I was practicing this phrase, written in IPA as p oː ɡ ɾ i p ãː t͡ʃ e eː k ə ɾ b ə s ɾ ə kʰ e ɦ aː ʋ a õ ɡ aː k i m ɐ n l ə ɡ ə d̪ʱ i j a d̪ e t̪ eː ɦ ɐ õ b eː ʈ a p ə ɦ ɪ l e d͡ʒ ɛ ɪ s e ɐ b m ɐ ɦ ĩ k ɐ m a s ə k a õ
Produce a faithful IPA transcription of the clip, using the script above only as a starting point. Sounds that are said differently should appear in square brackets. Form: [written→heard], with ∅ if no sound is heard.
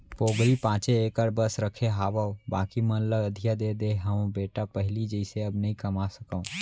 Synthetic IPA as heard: p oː ɡ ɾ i p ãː t͡ʃ e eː k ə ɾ b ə s ɾ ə kʰ e ɦ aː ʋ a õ [ɡ→b] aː k i m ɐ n l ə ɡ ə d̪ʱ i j a d̪ e [t̪→d̪] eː ɦ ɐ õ b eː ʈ a p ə ɦ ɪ l [e→i] d͡ʒ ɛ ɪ s e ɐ b [m→n] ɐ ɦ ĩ k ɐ m a s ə k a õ